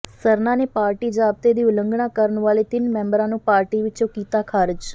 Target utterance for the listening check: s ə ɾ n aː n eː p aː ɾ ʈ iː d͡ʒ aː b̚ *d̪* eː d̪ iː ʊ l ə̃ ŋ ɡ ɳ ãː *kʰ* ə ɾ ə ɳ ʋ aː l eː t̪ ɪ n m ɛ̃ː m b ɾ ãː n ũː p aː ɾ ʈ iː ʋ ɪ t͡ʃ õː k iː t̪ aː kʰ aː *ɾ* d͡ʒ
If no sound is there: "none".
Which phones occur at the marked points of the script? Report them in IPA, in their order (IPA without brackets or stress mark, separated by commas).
t̪, k, ɾ